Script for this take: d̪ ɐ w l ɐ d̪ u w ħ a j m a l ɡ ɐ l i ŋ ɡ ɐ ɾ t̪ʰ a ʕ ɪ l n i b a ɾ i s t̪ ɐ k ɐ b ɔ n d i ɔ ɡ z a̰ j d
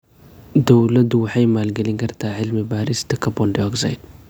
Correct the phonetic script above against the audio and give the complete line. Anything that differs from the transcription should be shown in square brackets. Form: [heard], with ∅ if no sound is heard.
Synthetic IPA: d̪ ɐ w l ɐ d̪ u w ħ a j m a l ɡ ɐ l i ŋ ɡ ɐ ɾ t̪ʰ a ʕ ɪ l [m] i b a ɾ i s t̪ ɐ k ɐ b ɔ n d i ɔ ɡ z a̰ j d